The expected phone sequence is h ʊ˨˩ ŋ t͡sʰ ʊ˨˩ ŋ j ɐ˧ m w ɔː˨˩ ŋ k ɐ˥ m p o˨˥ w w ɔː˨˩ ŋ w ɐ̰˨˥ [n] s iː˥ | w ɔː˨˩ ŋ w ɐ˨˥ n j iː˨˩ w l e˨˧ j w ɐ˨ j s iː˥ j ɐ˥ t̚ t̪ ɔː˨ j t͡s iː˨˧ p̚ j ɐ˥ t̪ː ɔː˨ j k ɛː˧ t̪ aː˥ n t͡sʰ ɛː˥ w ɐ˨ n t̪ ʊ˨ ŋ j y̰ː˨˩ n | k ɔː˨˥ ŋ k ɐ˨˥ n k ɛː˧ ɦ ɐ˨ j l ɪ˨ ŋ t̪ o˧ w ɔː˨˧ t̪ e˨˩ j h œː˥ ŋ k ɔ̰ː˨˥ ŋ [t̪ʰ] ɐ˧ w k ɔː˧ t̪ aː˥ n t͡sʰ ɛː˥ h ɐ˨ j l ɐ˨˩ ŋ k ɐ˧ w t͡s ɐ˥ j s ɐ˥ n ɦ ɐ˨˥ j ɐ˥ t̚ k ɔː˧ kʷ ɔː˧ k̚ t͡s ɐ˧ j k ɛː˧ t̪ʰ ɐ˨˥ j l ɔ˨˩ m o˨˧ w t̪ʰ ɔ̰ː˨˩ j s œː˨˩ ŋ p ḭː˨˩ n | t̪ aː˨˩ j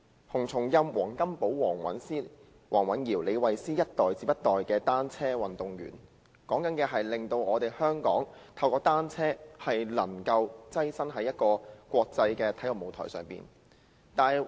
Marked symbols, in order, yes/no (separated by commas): yes, yes